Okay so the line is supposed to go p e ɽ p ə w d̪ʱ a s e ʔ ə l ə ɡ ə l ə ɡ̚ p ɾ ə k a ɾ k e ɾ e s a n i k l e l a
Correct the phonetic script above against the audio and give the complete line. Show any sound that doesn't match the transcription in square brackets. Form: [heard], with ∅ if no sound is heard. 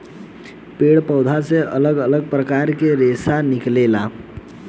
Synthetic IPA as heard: p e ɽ p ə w d̪ʱ a s e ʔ ə l ə ɡ ə l ə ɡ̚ p ɾ ə k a ɾ k e ɾ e s a n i k l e l a